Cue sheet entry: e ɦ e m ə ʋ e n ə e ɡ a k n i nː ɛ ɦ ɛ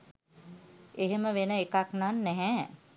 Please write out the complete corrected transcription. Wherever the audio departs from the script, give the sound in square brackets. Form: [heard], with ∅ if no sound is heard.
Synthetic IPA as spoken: e ɦ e m ə ʋ e n ə e [k] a k n [a] nː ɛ ɦ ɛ